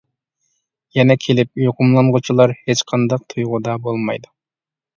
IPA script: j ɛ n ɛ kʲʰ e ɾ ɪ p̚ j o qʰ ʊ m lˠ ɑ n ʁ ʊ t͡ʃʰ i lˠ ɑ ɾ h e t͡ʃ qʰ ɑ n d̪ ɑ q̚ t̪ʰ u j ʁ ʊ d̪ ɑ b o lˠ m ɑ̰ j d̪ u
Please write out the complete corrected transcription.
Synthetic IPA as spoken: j ɛ n ɛ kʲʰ e l ɪ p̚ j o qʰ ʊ m lˠ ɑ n ʁ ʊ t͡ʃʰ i lˠ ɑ ɾ h e t͡ʃ qʰ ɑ n d̪ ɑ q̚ t̪ʰ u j ʁ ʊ d̪ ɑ b o lˠ m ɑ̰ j d̪ u